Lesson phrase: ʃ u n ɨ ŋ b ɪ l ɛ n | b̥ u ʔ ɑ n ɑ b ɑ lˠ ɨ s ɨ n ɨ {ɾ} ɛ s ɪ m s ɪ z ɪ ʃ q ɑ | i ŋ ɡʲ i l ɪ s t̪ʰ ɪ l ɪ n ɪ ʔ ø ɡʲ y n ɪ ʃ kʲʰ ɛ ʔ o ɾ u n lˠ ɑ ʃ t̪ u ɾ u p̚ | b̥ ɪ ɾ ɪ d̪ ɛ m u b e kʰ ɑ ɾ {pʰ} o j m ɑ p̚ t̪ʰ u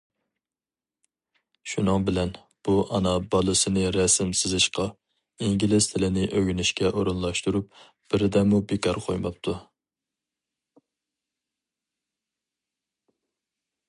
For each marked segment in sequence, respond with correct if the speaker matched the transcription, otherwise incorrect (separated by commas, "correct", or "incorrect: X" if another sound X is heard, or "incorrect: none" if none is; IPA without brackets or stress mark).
correct, incorrect: qʰ